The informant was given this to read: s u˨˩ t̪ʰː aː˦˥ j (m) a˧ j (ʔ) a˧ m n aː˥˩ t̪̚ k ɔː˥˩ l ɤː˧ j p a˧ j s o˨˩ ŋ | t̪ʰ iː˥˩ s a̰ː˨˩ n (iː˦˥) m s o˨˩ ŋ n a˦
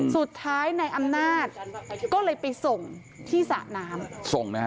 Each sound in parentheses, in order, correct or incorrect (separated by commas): incorrect, correct, incorrect